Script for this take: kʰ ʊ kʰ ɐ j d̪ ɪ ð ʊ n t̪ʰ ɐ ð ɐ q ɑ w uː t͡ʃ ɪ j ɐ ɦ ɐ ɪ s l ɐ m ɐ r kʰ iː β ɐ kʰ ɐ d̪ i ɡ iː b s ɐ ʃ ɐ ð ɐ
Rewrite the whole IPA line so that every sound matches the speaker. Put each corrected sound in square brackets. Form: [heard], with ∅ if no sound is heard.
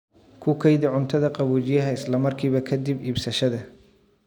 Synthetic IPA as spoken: kʰ ʊ kʰ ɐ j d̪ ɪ [ʕ] ʊ n t̪ʰ ɐ ð ɐ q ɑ [β] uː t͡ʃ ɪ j ɐ ɦ ɐ ɪ s l ɐ m ɐ r kʰ iː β ɐ kʰ ɐ d̪ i [b] iː b s ɐ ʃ ɐ ð ɐ

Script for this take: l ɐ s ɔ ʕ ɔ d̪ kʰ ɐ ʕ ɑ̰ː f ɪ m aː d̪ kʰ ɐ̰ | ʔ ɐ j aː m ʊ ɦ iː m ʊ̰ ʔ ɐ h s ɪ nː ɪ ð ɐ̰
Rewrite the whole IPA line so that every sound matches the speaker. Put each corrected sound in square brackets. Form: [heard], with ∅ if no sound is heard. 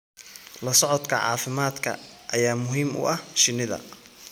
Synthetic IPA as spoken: l ɐ s ɔ ʕ ɔ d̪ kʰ ɐ ʕ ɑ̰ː f ɪ m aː d̪ kʰ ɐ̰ | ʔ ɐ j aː m ʊ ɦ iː m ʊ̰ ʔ ɐ h [ʃ] ɪ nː ɪ ð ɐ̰

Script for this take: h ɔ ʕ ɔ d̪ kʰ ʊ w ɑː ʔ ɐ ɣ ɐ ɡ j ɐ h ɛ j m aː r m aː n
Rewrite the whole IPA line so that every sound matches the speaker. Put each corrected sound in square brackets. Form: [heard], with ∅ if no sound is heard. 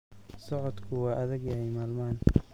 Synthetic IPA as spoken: [s] ɔ ʕ ɔ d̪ kʰ ʊ w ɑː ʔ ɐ [ð] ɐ ɡ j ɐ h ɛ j m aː [l] m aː n

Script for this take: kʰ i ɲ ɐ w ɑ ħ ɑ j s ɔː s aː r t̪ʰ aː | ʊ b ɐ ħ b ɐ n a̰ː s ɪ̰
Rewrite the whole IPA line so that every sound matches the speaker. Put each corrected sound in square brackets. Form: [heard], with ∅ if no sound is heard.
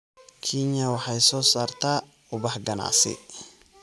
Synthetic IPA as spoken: kʰ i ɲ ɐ w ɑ ħ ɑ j s ɔː s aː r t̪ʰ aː | ʊ b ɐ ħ [ɡ] ɐ n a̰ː s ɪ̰

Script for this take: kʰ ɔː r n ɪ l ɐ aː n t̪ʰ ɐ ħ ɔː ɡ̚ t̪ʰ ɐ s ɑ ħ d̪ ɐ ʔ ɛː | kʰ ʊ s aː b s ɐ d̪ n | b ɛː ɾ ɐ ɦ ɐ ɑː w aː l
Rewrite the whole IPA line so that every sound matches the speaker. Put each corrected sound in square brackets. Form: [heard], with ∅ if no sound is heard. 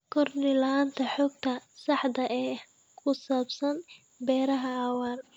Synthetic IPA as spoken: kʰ [ɔ] r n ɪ l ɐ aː n t̪ʰ ɐ ħ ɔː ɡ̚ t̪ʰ ɐ s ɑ ħ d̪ ɐ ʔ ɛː | kʰ ʊ s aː b s ɐ [∅] n | b ɛː ɾ ɐ ɦ ɐ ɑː w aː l

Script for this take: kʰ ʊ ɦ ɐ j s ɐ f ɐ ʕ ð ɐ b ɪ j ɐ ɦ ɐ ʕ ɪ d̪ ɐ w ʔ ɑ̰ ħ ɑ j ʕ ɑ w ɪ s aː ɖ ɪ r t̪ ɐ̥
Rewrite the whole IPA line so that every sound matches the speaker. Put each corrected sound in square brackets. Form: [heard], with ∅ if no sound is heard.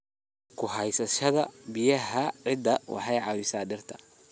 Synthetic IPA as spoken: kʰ ʊ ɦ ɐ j s ɐ [ʃ] ɐ [∅] ð ɐ b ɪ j ɐ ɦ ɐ ʕ ɪ d̪ ɐ w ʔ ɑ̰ ħ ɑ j ʕ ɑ w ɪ s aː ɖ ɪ r [t̪ʰ] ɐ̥

